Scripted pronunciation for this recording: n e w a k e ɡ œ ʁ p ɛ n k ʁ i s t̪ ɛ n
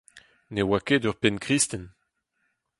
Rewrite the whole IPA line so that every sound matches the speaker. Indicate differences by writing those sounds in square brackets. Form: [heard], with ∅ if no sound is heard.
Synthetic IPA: n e w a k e [d] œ ʁ p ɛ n k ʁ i s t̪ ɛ n